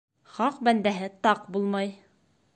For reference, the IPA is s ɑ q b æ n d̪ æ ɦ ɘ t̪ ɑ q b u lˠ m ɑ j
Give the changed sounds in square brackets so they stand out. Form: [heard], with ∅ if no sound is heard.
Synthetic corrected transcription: [χ] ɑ q b æ n d̪ æ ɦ ɘ t̪ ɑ q b u lˠ m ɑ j